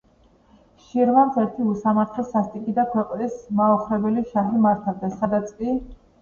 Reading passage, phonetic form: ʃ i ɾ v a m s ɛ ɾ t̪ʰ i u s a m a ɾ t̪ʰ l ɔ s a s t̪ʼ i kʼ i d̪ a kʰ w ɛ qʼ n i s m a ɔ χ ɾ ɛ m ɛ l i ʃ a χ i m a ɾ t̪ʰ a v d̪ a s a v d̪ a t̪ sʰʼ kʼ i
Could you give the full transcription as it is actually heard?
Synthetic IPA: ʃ i ɾ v a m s ɛ ɾ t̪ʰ i u s a m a ɾ t̪ʰ l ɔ s a s t̪ʼ i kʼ i d̪ a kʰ w ɛ qʼ n i s m a ɔ χ ɾ ɛ b ɛ l i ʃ a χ i m a ɾ t̪ʰ a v d̪ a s a d̪ a t̪ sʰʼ kʼ i